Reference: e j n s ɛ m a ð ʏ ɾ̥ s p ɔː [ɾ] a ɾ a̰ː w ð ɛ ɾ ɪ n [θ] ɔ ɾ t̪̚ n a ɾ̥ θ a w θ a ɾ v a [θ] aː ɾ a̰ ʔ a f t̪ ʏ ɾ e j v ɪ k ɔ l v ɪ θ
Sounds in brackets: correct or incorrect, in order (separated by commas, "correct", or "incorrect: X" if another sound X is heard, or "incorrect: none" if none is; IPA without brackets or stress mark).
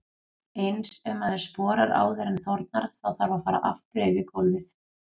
correct, correct, incorrect: f